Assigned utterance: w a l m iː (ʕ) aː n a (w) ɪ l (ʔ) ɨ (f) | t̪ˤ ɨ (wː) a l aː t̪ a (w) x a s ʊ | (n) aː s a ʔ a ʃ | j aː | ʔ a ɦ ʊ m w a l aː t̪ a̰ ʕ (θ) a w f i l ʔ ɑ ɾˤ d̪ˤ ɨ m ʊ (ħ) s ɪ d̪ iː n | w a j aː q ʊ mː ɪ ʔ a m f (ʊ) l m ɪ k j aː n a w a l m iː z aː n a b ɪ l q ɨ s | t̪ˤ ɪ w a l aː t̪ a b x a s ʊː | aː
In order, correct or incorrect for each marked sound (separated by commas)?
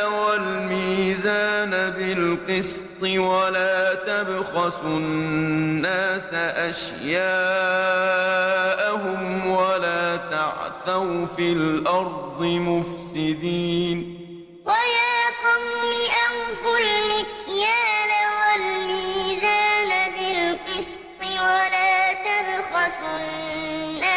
incorrect, incorrect, incorrect, incorrect, incorrect, incorrect, incorrect, correct, incorrect, correct